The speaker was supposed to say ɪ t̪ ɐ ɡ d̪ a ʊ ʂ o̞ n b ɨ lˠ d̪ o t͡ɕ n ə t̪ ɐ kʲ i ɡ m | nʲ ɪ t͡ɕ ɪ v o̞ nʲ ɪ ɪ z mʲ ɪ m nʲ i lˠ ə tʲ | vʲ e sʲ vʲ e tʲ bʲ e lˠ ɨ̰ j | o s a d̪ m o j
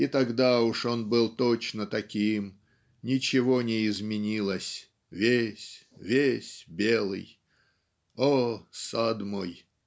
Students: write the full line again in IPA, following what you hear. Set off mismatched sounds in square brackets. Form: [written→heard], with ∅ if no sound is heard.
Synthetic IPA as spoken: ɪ t̪ ɐ ɡ d̪ a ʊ ʂ o̞ n b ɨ lˠ [d̪→t̪] o t͡ɕ n ə t̪ ɐ kʲ i [ɡ→∅] m | nʲ ɪ t͡ɕ ɪ v o̞ nʲ ɪ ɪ z mʲ ɪ [m→∅] nʲ i lˠ ə [tʲ→sʲ] | vʲ e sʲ vʲ e [tʲ→sʲ] bʲ e lˠ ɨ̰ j | o s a d̪ m o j